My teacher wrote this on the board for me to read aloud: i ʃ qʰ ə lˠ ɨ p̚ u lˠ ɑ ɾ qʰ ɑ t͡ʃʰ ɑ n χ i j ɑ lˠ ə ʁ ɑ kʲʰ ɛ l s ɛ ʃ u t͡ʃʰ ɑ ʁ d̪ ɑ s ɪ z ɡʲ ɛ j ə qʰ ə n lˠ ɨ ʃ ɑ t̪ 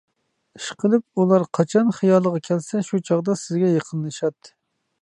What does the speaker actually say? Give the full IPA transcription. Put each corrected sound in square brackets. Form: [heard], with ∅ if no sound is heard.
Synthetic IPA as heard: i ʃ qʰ ə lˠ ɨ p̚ u lˠ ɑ ɾ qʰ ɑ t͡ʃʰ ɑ n χ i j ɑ lˠ ə ʁ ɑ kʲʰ ɛ l s ɛ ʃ u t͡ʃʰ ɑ ʁ d̪ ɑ s ɪ z ɡʲ ɛ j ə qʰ ə n lˠ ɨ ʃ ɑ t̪